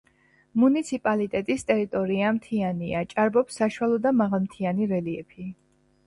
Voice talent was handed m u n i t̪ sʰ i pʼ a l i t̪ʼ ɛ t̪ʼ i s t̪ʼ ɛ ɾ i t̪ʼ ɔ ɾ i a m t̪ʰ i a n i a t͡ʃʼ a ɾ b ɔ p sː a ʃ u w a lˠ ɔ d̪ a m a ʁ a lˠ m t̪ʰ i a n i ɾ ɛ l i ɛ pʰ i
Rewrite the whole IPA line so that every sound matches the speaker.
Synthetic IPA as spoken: m u n i t̪ sʰ i pʼ a l i t̪ʼ ɛ t̪ʼ i s t̪ʼ ɛ ɾ i t̪ʼ ɔ ɾ i a m t̪ʰ i a n i a t͡ʃʼ a ɾ b ɔ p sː a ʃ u w a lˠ ɔ d̪ a m a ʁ a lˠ m t̪ʰ i a n i ɾ ɛ l i ɛ pʰ i